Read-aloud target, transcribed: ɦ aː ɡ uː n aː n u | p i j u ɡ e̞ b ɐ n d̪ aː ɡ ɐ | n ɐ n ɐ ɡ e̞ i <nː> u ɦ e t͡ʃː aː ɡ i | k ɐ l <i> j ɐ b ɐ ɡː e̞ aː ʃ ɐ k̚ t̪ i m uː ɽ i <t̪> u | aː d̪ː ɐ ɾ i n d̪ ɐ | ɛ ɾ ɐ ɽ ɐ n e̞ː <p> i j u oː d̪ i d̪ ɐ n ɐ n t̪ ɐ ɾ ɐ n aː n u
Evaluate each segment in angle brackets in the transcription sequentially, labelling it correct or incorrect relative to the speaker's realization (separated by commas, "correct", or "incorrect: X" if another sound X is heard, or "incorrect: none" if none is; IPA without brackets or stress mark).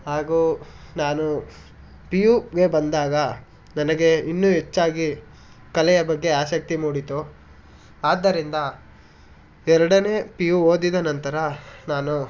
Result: correct, incorrect: ɛ, correct, correct